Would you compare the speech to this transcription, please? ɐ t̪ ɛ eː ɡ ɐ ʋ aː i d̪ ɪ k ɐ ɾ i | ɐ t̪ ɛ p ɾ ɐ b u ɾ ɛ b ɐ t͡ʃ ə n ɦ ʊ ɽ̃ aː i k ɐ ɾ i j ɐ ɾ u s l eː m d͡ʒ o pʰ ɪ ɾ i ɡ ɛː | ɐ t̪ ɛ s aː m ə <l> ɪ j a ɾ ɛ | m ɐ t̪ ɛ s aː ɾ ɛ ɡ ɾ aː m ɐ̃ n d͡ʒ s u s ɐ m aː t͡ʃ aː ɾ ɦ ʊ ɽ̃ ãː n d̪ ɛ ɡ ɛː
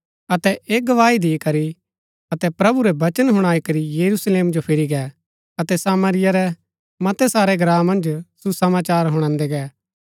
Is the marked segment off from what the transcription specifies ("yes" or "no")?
yes